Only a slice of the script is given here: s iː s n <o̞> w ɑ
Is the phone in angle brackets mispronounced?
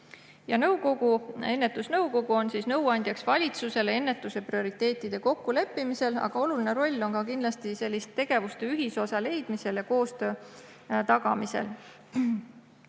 yes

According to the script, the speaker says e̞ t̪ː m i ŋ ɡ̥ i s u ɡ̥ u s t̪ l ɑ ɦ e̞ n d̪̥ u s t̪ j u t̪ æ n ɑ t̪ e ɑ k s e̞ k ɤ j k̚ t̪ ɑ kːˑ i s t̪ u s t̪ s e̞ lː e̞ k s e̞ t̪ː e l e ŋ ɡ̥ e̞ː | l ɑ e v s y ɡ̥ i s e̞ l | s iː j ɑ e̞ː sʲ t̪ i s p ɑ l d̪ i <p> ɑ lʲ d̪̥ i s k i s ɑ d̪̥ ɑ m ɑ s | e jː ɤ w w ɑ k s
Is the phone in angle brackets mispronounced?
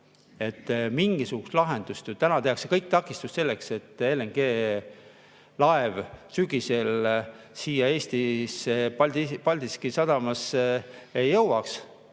no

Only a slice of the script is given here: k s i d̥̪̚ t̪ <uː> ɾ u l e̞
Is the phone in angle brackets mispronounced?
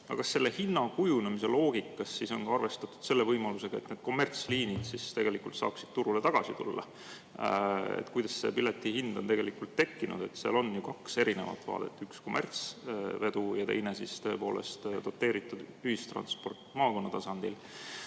yes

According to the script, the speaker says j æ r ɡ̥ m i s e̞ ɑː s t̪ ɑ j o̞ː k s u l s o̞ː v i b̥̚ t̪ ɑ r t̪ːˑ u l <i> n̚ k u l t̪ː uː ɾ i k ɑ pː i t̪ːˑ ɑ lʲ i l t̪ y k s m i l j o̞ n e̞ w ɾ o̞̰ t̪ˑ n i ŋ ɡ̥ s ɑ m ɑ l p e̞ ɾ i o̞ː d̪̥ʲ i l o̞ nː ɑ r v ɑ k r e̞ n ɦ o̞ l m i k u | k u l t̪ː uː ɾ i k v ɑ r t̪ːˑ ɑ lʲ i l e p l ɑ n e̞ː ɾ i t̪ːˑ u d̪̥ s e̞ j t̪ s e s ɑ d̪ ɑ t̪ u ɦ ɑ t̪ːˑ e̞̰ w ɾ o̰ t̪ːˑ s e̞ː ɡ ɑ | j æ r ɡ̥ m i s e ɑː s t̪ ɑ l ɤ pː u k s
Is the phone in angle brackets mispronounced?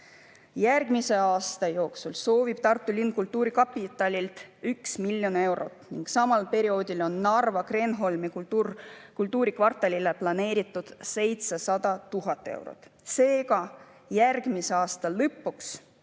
no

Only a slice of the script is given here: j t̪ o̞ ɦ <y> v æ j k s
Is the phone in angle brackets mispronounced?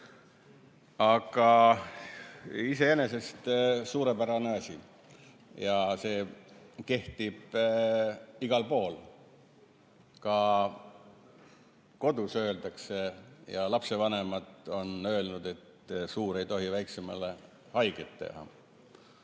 yes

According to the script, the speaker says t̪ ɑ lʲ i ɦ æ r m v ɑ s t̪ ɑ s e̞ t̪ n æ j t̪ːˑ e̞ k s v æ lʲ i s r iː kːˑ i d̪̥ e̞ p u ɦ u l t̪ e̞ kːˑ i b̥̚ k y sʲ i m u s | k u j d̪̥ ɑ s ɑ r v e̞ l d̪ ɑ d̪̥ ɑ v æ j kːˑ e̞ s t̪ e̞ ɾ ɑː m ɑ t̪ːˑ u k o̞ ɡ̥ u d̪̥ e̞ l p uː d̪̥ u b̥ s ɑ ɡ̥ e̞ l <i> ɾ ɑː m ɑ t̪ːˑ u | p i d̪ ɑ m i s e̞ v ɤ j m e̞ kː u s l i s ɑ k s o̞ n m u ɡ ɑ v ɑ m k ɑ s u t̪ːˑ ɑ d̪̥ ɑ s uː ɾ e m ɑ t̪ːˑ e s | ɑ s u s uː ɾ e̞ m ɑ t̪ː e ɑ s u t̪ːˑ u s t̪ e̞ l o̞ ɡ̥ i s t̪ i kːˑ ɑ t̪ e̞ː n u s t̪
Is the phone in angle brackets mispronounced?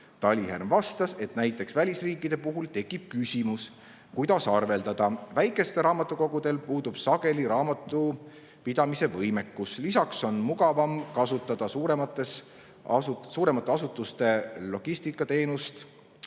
no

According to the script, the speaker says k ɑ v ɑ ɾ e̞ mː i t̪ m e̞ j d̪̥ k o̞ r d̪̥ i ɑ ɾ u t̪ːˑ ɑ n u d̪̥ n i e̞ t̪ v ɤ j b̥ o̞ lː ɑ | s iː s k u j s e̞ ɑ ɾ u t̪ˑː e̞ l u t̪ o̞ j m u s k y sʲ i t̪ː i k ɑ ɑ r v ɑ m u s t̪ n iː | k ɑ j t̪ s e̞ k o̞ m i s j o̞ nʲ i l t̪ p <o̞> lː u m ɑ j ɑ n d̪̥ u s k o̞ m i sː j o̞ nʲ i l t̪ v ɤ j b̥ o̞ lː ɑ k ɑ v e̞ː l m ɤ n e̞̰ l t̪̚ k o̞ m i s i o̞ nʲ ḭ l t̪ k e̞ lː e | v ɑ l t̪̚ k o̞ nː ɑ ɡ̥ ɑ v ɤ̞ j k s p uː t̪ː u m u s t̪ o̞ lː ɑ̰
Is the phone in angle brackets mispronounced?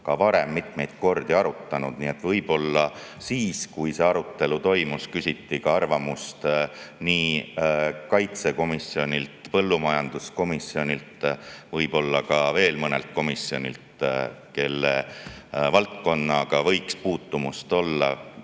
yes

